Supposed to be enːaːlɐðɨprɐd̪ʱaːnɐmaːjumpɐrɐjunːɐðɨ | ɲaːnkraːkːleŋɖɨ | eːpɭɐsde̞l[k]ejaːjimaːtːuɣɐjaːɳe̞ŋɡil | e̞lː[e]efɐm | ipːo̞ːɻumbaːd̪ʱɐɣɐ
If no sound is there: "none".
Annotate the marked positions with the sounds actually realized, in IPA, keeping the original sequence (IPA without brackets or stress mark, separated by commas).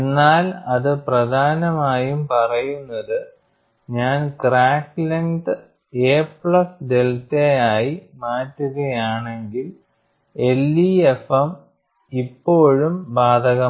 t, i